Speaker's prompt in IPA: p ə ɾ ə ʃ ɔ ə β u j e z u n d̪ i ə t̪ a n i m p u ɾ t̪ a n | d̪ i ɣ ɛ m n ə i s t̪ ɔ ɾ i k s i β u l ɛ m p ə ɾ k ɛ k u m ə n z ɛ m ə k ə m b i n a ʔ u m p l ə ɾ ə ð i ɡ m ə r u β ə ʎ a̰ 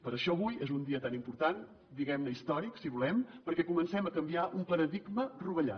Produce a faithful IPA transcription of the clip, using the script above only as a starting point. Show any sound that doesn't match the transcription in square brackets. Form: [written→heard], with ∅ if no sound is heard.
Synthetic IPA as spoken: p ə ɾ ə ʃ ɔ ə β u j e z u n d̪ i ə t̪ a n i m p u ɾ t̪ a n | d̪ i ɣ ɛ m n ə i s t̪ ɔ ɾ i k s i β u l ɛ m p ə ɾ k ɛ k u m ə n [z→s] ɛ m ə k ə m b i [n→∅] a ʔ u m p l ə ɾ ə ð i ɡ m ə r u β ə ʎ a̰